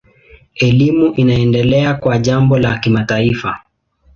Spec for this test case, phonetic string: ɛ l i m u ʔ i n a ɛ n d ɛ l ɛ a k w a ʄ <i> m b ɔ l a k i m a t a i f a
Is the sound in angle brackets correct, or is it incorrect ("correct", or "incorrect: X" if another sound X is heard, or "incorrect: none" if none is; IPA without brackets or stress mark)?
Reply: incorrect: a